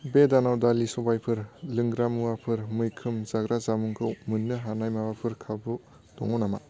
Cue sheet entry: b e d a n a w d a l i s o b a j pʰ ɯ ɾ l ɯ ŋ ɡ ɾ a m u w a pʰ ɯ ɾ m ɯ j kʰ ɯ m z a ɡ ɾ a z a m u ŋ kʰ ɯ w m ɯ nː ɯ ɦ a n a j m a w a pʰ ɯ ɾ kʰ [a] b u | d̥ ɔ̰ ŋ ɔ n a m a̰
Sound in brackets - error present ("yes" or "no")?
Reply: no